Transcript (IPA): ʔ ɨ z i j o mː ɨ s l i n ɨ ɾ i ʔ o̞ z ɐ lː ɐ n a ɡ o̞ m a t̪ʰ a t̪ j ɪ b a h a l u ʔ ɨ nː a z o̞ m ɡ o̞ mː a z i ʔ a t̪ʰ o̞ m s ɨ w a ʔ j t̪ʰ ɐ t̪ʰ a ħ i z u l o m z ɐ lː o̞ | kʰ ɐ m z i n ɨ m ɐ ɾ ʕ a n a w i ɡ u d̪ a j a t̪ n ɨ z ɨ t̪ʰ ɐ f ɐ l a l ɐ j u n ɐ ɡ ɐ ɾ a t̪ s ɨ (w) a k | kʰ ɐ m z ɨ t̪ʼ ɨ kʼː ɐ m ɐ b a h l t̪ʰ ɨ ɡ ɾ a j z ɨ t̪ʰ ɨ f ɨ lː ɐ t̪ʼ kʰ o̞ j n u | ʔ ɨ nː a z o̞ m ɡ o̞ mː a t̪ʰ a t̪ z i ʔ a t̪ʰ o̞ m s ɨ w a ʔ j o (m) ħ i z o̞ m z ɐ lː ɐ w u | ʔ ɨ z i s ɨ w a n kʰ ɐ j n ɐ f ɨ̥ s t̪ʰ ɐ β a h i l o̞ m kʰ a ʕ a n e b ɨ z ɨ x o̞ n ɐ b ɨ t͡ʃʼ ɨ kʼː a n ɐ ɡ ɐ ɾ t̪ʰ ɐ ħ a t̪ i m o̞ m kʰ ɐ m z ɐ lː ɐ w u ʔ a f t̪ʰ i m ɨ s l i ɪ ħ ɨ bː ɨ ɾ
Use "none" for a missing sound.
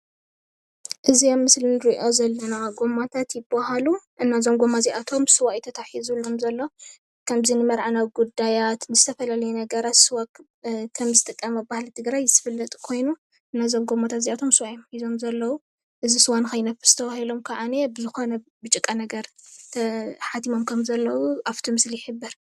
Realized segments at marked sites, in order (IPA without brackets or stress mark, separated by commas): w, m